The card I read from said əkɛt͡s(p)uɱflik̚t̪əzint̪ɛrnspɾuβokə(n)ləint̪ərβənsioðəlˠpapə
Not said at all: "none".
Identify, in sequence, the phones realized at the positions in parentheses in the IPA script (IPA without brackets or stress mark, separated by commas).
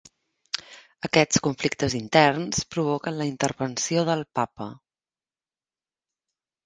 k, n